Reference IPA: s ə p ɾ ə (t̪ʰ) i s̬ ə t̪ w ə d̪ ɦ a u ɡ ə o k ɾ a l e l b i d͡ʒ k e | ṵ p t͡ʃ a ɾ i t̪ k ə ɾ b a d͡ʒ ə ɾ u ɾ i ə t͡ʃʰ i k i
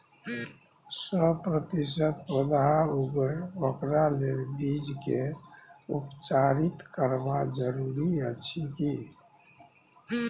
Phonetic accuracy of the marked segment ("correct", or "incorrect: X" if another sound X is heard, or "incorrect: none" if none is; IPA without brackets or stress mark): incorrect: t̪